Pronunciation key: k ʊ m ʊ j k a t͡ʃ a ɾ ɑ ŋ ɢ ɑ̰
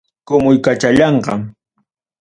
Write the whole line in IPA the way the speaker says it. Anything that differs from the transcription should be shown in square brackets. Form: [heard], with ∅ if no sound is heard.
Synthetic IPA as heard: k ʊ m ʊ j k a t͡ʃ a [ʎ] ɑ [ɴ] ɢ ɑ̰

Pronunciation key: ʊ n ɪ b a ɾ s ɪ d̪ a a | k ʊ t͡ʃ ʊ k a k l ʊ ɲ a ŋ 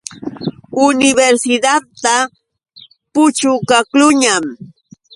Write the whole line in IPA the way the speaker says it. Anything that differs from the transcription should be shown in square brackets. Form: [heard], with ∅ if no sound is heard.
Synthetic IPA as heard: ʊ n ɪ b [e] ɾ s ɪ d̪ a a | [p] ʊ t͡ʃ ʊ k a k l ʊ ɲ a [m]

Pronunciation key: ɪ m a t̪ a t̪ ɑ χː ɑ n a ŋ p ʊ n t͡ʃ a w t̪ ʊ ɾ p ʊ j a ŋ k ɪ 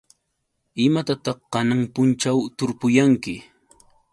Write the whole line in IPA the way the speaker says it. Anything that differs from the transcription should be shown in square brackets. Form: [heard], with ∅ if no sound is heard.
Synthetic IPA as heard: ɪ m a t̪ a t̪ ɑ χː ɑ n a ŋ p ʊ n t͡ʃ a w t̪ ʊ ɾ p ʊ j a ŋ k ɪ

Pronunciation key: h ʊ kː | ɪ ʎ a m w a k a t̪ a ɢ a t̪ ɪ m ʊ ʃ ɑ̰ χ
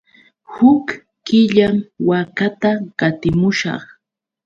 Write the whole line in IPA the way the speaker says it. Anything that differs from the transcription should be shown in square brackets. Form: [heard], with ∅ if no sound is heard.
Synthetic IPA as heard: h ʊ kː | ɪ ʎ a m w a k a t̪ a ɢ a t̪ ɪ m ʊ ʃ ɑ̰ χ

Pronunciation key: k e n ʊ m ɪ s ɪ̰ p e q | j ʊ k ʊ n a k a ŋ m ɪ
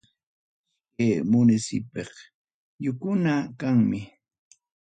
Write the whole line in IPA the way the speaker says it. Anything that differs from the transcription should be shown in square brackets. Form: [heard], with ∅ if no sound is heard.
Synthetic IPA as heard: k e [m] ʊ [n] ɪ s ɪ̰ p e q | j ʊ k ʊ n a k a ŋ m ɪ

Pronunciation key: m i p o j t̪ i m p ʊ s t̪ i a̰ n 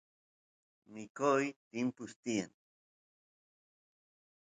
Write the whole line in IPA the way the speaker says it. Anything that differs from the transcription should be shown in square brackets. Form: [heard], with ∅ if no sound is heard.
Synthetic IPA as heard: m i [k] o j t̪ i m p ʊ s t̪ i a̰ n

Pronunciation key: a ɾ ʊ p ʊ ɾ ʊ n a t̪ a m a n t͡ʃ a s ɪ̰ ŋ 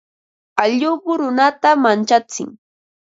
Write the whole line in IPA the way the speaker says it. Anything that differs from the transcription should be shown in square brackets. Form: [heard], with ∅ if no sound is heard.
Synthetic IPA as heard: a [ʎ] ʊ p ʊ ɾ ʊ n a t̪ a m a n t͡ʃ a [t͡s] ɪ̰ ŋ

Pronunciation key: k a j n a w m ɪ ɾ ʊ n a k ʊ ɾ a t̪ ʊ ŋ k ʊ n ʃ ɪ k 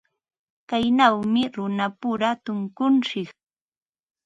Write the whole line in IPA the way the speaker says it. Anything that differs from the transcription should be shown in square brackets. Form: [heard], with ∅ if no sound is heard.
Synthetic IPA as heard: k a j n a w m ɪ ɾ ʊ n a [p] ʊ ɾ a t̪ ʊ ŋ k ʊ n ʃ ɪ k

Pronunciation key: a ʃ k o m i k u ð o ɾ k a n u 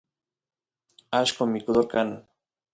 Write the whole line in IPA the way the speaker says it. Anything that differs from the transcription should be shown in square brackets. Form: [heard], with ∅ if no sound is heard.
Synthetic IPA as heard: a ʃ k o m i k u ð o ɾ k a n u

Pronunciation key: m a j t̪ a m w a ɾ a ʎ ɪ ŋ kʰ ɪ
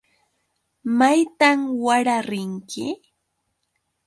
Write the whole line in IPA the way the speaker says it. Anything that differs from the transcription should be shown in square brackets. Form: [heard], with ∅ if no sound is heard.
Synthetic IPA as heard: m a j t̪ a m w a ɾ a [ɾ] ɪ ŋ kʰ ɪ

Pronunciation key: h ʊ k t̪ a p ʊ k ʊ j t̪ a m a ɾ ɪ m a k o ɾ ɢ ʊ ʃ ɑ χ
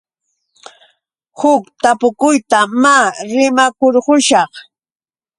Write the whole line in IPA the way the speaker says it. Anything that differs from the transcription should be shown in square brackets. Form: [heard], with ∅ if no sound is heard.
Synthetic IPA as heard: h ʊ k t̪ a p ʊ k ʊ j t̪ a m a ɾ ɪ m a k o ɾ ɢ ʊ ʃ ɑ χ

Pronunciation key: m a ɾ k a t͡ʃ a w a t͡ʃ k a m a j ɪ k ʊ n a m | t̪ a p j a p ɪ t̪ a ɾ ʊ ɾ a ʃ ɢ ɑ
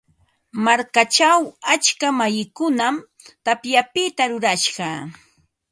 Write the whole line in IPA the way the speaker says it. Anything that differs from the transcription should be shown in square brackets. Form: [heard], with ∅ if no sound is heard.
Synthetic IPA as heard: m a ɾ k a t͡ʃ a w a t͡ʃ k a m a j ɪ k ʊ n a m | t̪ a p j a p ɪ t̪ a ɾ ʊ ɾ a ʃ ɢ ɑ

